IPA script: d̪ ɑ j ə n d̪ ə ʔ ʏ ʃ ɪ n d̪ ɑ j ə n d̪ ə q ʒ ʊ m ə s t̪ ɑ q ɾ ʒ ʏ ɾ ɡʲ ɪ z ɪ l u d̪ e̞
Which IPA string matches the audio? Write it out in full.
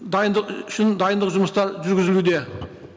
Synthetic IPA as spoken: d̪ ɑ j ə n d̪ ə q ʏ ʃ ɪ n d̪ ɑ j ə n d̪ ə q ʒ ʊ m ə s t̪ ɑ ɾ ʒ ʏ ɾ ɡʲ ɪ z ɪ l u d̪ e̞